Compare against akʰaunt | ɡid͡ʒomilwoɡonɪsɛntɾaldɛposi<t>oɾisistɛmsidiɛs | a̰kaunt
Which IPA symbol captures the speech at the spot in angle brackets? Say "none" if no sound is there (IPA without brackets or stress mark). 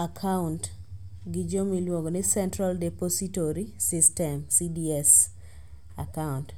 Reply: t